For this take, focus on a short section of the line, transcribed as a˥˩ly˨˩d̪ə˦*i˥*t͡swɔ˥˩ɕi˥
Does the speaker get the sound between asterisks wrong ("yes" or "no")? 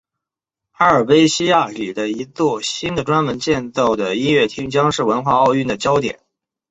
yes